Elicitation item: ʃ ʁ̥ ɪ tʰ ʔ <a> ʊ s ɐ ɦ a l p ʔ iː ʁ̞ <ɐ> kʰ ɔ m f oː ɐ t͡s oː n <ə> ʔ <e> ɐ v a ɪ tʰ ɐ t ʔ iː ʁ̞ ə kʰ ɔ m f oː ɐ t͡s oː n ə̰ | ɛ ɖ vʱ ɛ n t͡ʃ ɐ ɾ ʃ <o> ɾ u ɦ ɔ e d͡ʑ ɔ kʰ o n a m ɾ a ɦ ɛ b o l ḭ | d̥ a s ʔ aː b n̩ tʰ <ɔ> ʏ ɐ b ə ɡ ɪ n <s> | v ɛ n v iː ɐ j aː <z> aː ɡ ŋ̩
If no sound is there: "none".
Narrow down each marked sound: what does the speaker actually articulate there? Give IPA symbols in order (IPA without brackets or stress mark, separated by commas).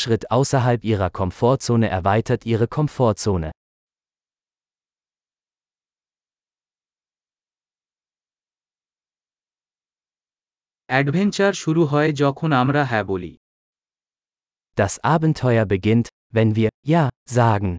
a, ɐ, ə, ɛ, u, ɔ, t, z